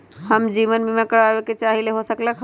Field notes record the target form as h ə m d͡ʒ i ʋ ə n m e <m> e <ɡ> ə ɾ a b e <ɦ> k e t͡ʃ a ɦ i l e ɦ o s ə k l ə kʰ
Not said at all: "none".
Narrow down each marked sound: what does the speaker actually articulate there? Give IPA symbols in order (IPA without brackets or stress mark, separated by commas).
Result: m, k, none